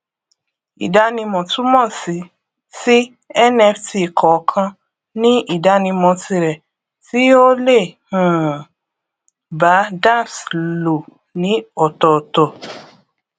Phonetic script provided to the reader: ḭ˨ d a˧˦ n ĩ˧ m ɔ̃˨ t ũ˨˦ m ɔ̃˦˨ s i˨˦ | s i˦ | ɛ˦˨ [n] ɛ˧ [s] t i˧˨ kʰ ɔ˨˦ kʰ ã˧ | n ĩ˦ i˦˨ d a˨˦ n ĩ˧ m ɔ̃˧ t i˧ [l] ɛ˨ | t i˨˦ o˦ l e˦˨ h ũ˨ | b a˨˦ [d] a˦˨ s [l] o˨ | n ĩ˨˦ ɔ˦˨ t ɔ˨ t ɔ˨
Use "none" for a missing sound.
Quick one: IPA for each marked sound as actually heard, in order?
n, f, ɾ, d, l

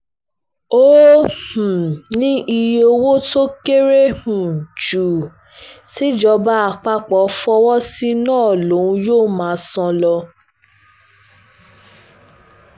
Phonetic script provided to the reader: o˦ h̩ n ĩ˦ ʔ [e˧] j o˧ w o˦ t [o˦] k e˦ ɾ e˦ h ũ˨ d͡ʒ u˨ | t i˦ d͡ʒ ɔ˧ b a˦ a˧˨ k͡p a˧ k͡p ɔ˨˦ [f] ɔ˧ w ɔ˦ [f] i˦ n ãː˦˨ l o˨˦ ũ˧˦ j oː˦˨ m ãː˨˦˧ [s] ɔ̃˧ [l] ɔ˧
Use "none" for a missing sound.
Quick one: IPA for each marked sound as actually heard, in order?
i˧, o˦, f, s, s, l

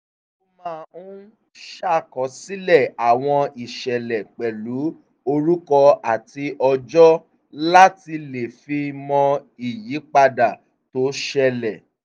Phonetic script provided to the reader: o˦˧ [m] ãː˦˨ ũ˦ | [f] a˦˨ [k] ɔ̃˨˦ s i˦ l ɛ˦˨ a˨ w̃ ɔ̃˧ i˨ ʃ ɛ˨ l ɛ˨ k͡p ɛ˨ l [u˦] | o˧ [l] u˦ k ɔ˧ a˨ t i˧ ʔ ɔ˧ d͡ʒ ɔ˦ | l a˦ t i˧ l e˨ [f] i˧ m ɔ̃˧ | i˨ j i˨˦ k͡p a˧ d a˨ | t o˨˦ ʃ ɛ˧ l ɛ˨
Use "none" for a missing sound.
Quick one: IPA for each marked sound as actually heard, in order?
m, ʃ, k, u˨˦, ɾ, f

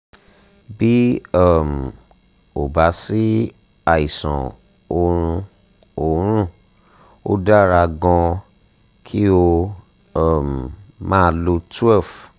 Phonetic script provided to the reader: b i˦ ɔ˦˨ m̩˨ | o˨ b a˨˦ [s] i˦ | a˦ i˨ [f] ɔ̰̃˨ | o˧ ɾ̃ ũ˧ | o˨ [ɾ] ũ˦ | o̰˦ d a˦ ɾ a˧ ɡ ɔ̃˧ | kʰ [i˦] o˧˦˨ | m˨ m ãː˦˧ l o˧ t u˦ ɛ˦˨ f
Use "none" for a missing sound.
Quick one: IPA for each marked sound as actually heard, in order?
s, s, ɾ, i˦

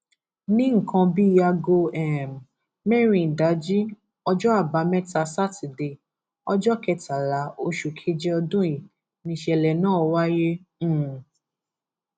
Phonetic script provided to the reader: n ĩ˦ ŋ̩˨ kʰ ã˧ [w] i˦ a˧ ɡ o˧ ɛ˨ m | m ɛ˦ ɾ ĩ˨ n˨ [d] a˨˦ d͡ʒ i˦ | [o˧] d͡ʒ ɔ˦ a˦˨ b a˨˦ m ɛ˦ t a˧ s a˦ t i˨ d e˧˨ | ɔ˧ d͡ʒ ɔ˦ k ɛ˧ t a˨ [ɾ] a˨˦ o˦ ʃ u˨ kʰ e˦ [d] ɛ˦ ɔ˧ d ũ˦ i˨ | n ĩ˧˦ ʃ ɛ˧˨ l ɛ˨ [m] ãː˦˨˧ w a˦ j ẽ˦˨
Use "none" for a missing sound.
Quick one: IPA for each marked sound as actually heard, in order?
b, d, ɔ˧, l, d͡ʒ, n

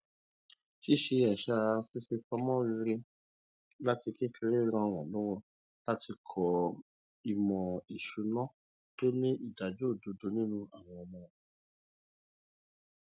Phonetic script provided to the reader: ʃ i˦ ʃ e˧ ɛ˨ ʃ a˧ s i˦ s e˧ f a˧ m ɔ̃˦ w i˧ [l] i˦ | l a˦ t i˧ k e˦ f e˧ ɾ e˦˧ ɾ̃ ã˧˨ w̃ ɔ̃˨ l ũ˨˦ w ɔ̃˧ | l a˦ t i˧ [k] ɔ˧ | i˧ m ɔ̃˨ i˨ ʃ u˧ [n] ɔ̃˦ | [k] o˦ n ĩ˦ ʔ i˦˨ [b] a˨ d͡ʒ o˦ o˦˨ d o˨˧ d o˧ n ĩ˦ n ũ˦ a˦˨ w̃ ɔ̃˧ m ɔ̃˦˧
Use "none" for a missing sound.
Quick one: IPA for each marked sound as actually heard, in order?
ɾ, kʰ, n, t, d

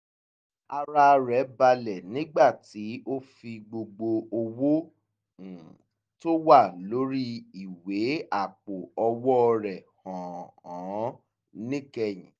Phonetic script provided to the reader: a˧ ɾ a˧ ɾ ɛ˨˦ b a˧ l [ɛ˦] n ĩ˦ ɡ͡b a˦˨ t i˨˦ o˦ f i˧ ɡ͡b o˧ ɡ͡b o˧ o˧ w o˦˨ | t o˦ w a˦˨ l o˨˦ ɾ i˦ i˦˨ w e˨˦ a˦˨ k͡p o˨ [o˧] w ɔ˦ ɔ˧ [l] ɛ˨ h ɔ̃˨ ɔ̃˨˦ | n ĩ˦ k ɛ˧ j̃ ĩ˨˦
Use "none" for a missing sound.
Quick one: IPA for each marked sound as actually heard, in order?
ɛ˨, ɔ˧, ɾ

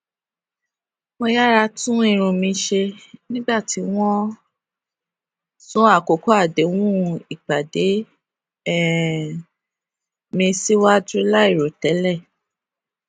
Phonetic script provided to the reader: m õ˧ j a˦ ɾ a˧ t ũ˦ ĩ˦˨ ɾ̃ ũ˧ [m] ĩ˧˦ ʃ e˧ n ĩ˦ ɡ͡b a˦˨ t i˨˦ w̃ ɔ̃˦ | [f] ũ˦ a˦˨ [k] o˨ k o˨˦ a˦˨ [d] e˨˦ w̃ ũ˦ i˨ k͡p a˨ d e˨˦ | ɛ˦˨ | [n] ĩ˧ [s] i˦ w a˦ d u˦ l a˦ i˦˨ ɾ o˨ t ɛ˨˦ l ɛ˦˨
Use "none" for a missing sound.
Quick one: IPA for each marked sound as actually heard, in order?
m, s, k, d, m, s

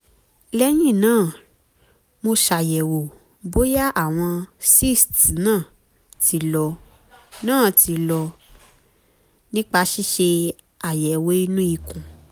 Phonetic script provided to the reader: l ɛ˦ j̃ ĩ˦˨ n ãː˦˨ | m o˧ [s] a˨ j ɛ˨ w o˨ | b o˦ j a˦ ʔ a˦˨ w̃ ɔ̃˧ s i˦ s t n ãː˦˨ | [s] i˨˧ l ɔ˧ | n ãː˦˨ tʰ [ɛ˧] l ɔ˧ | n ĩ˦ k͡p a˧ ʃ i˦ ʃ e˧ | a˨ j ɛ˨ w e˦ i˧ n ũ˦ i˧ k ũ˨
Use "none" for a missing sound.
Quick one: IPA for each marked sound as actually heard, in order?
ʃ, t, i˧

